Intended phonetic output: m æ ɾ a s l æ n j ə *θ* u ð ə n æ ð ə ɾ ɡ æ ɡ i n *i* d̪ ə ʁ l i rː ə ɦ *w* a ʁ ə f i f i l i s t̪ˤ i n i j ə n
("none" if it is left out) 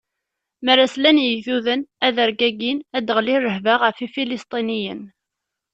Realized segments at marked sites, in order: θ, æ, v

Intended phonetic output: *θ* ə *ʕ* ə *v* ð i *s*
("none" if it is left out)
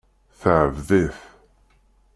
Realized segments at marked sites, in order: θ, ʕ, v, θ

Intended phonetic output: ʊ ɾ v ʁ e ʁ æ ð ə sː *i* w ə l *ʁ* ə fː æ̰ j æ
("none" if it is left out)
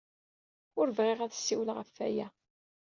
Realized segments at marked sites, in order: i, ʁ

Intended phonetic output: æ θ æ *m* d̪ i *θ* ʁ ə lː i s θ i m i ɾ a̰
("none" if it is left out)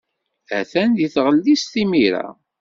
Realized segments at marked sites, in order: n, θ

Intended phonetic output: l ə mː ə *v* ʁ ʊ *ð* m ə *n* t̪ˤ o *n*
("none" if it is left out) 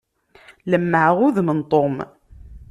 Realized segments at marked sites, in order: ʕ, ð, n, m

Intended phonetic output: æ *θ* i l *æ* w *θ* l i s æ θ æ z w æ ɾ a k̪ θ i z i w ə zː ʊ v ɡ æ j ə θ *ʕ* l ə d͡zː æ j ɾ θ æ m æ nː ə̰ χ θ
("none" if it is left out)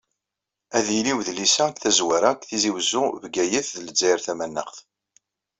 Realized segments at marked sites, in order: ð, i, ð, ð

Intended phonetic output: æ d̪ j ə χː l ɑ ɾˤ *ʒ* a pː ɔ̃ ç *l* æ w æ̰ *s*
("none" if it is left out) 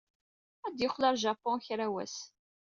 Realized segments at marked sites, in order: ʒ, ɾ, s

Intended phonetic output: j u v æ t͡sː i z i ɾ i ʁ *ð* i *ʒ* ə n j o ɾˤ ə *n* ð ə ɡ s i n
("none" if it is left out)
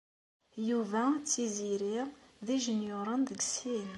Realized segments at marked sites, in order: ð, ʒ, n

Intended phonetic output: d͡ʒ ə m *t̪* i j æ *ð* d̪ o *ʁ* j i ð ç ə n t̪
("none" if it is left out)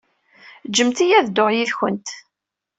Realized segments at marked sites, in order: t̪, ð, ʁ

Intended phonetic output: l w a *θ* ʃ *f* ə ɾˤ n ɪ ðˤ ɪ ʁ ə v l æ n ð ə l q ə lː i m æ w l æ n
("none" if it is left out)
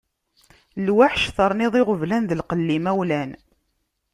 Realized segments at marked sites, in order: ħ, θ

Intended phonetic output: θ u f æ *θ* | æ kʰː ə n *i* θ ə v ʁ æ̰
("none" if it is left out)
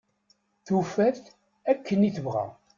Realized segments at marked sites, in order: θ, i

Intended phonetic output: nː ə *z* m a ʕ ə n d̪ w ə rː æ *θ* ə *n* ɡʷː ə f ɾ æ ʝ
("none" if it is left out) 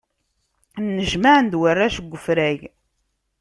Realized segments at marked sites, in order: ʒ, ʃ, none

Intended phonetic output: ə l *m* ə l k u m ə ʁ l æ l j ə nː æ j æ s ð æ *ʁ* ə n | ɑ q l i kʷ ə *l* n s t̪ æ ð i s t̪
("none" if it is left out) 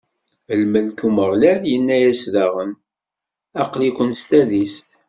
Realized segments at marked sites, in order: m, ʁ, none

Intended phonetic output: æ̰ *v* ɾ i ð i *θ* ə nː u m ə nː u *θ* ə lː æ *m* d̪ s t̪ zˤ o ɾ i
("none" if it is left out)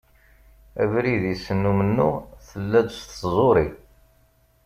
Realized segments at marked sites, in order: v, s, θ, none

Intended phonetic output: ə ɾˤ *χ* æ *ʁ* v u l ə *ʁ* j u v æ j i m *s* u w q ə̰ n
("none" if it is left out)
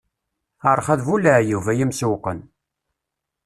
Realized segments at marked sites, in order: χ, ð, ʕ, s

